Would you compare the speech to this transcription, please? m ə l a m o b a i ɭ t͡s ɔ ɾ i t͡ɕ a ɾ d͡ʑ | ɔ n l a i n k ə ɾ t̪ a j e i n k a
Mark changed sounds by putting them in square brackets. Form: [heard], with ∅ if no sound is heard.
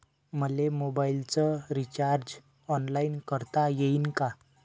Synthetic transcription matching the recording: m ə l [e] m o b a i [l] t͡s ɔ ɾ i t͡ɕ a ɾ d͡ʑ | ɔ n l a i n k ə ɾ t̪ a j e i n k a